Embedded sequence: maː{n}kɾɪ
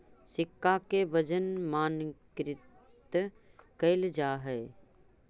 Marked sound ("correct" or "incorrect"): correct